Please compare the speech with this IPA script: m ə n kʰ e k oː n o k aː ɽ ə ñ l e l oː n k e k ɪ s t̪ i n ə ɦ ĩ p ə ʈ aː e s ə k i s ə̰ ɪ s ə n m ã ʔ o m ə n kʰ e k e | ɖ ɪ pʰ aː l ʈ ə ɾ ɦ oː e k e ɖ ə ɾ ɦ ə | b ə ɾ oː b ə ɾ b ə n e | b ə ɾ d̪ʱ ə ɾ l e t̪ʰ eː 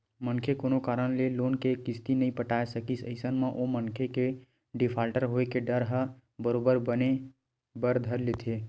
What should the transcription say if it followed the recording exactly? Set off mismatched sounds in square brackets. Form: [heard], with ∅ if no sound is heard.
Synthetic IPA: m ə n kʰ e k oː n o k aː [ɾ] ə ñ l e l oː n k e k ɪ s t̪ i n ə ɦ ĩ p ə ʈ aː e s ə k i s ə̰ ɪ s ə n m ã ʔ o m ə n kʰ e k e | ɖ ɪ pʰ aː l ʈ ə ɾ ɦ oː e k e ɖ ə ɾ ɦ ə | b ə ɾ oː b ə ɾ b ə n e | b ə ɾ d̪ʱ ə ɾ l e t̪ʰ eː